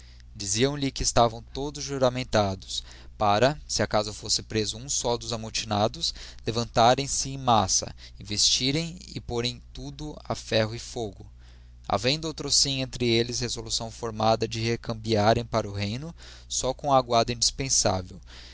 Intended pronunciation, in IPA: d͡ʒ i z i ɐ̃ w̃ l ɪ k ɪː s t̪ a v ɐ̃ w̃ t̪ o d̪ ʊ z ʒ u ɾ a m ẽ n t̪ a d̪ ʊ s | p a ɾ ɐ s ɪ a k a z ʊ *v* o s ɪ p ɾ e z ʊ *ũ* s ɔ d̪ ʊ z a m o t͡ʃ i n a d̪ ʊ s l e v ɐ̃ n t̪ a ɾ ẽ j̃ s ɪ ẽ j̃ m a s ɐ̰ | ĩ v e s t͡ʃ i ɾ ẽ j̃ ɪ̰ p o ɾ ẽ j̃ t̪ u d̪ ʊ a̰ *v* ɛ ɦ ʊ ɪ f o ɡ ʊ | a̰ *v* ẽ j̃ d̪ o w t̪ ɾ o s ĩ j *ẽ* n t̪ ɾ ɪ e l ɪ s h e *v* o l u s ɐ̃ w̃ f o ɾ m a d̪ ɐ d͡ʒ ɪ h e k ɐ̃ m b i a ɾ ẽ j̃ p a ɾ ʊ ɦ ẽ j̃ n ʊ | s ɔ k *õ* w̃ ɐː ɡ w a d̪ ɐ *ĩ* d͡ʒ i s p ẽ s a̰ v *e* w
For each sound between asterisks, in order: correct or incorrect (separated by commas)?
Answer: incorrect, correct, incorrect, correct, correct, incorrect, correct, correct, correct